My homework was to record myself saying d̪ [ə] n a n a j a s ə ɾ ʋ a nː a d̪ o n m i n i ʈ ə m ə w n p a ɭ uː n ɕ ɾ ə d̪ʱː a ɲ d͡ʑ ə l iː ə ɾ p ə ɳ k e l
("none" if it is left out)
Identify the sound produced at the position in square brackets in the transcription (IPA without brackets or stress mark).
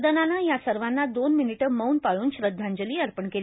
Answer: ə